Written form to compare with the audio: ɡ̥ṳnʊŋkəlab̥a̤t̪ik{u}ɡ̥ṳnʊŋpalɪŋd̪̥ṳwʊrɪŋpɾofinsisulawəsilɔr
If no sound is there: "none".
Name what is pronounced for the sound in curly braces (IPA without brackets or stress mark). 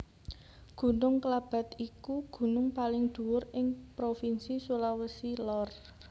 u